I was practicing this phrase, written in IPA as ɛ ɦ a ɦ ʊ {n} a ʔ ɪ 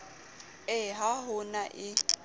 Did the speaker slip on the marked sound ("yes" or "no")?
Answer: no